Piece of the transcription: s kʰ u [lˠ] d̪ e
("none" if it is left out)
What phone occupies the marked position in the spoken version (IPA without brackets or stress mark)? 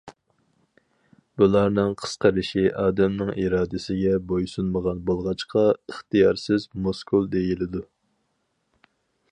lˠ